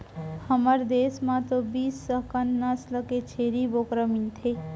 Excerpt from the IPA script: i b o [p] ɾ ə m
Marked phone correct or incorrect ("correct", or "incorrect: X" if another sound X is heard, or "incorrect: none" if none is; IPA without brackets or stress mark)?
incorrect: k